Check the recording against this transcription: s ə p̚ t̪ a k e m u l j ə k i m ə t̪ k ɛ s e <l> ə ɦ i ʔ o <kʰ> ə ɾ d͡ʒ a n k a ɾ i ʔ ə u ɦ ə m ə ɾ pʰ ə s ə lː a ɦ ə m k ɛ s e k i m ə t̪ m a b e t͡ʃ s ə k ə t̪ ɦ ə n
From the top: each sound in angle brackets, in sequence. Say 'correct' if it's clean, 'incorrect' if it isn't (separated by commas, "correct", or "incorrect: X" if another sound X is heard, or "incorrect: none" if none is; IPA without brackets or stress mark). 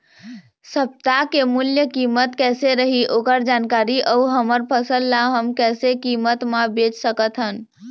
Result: incorrect: ɾ, incorrect: k